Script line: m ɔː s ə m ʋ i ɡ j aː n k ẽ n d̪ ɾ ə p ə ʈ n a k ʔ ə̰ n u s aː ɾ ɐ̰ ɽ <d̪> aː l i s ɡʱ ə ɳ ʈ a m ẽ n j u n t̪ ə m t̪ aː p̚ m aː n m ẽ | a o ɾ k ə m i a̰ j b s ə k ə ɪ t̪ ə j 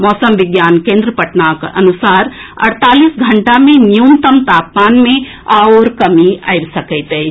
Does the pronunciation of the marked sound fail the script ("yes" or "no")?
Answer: yes